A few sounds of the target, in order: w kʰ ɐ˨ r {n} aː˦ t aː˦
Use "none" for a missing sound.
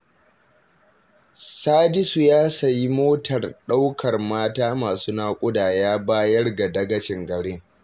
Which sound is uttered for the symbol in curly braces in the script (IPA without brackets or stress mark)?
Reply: m